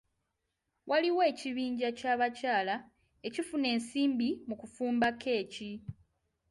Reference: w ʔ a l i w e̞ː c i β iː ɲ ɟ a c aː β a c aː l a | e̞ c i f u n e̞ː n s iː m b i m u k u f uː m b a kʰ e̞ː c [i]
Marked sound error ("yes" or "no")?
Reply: no